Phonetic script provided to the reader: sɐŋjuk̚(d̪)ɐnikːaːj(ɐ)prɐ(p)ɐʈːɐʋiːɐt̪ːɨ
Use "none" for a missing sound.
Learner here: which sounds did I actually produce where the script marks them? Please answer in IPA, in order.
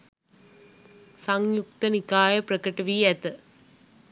t̪, ɐ, k

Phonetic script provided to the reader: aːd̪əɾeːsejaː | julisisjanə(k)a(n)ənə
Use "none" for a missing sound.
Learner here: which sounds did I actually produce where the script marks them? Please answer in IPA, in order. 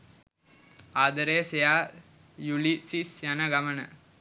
ɡ, m

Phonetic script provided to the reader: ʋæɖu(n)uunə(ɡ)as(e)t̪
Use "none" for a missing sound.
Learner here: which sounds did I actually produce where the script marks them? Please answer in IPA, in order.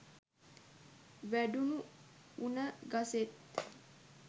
n, ɡ, e

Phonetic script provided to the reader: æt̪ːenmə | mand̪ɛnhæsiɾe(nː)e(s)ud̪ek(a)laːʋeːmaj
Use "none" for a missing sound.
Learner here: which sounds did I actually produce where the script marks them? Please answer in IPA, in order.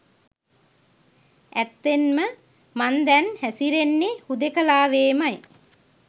nː, h, ə

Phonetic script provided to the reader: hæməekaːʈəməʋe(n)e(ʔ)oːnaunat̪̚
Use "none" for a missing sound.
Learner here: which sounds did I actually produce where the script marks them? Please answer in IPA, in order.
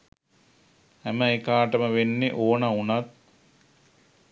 nː, ʔ

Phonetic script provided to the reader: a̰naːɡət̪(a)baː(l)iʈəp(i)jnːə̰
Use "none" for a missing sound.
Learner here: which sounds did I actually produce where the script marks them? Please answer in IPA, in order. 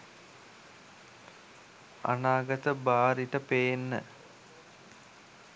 ə, ɾ, e

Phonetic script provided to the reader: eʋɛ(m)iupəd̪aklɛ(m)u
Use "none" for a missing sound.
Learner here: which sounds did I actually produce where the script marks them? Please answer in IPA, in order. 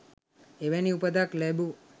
n, b

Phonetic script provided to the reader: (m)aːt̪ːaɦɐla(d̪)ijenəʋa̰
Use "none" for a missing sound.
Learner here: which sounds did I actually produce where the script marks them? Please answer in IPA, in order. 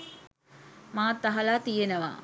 m, t̪

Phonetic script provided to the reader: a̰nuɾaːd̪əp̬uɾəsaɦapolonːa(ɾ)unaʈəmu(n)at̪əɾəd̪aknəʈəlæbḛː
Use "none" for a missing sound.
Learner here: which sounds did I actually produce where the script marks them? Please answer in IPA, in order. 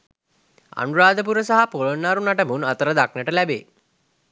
ɾ, n

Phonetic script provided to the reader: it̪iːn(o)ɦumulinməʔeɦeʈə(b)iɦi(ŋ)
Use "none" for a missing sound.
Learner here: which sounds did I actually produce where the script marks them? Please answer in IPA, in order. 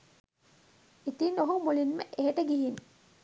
o, ɡ, n

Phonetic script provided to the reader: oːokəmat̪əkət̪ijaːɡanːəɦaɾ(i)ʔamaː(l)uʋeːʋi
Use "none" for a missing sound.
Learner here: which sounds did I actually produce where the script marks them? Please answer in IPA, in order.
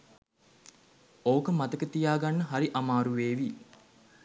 i, ɾ

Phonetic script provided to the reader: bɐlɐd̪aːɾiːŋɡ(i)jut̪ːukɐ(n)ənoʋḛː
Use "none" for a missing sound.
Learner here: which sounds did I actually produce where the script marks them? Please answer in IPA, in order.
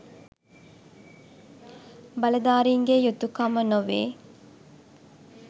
e, m

